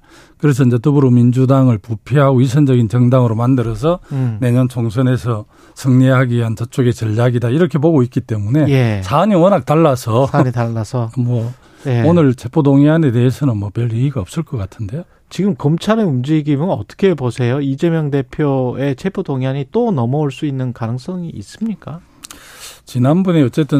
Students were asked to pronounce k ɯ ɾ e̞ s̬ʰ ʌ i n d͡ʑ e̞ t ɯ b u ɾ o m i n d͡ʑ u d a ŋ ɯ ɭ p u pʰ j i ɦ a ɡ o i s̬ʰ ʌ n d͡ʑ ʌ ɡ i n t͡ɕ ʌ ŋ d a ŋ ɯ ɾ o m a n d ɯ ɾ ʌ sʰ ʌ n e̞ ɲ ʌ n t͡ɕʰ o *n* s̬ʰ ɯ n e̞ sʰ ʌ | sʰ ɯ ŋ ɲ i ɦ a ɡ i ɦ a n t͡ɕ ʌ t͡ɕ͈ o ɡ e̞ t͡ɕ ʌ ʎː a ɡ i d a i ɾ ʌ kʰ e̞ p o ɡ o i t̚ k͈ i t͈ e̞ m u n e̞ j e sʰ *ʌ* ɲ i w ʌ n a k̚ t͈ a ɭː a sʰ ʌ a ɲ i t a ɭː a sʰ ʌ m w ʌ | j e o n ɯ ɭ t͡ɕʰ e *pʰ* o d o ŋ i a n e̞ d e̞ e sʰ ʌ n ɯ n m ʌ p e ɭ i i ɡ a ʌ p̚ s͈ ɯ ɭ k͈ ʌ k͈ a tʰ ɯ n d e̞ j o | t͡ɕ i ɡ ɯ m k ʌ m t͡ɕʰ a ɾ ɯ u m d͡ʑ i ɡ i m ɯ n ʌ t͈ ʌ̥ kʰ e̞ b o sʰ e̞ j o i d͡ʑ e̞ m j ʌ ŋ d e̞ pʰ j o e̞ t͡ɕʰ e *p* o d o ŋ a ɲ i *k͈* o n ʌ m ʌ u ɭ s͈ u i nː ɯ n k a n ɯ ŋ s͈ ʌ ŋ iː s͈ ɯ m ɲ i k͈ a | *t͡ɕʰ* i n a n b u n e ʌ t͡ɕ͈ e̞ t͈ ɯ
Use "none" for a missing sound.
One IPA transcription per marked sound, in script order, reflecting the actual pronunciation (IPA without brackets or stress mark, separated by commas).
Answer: ŋ, a, pʰ, pʰ, t͈, t͡ɕ